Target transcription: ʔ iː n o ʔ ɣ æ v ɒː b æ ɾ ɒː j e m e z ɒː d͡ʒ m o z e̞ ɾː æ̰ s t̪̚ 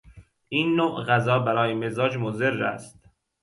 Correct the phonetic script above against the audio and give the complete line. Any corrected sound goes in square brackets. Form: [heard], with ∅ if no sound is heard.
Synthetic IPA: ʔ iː [nː] o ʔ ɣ æ [z] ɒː b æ ɾ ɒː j e m e z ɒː d͡ʒ m o z e̞ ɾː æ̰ s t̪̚